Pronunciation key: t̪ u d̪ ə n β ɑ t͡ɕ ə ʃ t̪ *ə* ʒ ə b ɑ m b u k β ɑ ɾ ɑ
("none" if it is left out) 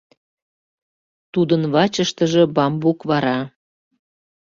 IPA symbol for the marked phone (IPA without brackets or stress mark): ə